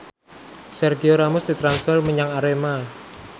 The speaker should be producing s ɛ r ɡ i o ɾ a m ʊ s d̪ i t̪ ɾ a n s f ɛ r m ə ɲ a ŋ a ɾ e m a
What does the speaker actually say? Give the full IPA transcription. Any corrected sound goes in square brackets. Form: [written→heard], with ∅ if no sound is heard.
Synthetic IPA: s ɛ r ɡ i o ɾ a m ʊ s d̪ i t̪ ɾ a n s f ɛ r m ə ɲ a ŋ a ɾ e m a